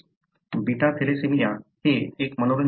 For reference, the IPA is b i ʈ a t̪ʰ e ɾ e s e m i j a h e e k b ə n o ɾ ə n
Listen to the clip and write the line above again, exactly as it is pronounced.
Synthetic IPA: b i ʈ a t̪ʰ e l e s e m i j a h e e k m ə n o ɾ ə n